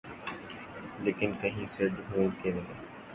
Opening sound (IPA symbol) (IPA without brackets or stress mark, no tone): l